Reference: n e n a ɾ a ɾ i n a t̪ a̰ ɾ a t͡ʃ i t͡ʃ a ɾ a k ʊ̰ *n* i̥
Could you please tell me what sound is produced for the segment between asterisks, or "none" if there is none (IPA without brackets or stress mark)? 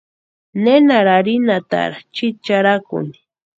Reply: n